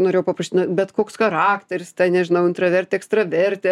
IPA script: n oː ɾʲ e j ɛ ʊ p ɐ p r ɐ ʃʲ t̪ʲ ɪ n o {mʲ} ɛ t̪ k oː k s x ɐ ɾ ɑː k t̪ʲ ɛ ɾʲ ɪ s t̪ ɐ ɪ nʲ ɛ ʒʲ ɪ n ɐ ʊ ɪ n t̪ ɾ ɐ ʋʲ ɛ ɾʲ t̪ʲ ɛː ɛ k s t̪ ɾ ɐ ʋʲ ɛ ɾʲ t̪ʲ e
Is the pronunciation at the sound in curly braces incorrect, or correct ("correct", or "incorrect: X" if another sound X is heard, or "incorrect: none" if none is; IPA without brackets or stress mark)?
incorrect: bʲ